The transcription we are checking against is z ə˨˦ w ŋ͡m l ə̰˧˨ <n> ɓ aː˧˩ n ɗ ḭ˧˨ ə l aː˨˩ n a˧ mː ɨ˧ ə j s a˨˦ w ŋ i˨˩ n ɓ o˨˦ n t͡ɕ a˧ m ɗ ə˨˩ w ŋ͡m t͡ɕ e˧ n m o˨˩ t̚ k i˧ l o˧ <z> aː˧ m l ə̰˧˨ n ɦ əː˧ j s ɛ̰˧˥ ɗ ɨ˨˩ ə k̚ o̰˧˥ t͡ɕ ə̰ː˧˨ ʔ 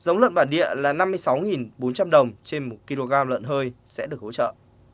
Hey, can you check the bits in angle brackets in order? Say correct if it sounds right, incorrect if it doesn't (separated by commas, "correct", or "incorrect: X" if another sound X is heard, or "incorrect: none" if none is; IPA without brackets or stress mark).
correct, incorrect: ɣ